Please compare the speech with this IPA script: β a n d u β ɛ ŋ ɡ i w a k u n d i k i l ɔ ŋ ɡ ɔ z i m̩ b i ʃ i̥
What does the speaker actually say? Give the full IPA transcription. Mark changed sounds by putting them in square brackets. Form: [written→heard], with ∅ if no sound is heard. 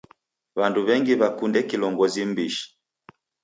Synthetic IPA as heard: β a n d u β ɛ ŋ ɡ i [w→β] a k u n d [i→ɛ] k i l ɔ ŋ ɡ ɔ z i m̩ b i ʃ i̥